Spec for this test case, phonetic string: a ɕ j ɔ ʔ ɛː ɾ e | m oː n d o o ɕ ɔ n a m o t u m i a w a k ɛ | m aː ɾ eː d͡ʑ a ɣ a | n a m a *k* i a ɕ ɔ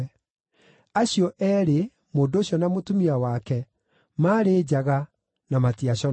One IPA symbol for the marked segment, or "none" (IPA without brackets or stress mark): t